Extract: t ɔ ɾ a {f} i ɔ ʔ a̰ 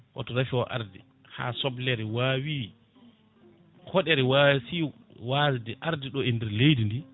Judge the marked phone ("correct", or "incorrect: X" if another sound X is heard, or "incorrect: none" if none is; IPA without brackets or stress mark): correct